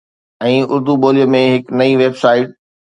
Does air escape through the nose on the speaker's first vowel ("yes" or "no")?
yes